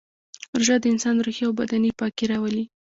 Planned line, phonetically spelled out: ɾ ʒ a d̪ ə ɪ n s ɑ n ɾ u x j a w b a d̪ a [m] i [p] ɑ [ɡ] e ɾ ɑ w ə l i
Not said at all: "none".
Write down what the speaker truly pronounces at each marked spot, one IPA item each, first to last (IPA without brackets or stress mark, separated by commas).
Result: n, p, k